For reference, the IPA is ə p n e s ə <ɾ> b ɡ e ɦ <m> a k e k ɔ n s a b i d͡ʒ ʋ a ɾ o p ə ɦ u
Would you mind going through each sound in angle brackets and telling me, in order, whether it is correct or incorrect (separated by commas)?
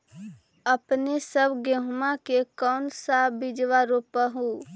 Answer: incorrect, correct